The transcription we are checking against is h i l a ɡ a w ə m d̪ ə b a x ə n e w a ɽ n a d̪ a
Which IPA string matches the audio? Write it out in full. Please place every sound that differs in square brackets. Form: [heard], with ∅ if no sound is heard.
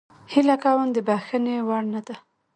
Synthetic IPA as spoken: h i l a [k] a w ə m d̪ ə b a x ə n e w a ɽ n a d̪ a